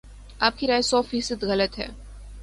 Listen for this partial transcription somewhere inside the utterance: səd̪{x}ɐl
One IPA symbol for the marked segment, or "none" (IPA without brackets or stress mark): ɣ